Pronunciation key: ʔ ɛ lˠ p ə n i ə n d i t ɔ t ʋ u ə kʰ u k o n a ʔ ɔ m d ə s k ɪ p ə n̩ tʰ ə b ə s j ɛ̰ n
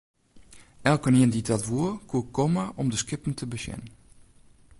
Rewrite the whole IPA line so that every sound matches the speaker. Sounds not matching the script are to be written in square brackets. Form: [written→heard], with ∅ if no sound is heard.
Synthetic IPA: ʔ ɛ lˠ [p→k] ə n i ə n d i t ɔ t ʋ u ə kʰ u k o [n→m] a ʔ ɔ m d ə s k ɪ p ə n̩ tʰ ə b ə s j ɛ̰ n